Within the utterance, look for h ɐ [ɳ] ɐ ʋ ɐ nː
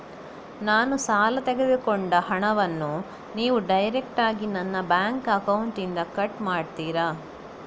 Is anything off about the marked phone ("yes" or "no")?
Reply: no